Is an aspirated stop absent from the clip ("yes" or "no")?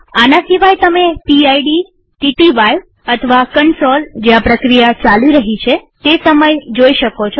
no